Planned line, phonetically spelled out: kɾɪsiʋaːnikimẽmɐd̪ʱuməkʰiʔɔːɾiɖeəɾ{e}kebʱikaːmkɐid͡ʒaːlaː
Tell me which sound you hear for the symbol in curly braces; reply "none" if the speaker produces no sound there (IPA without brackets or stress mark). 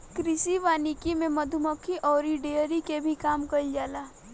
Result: i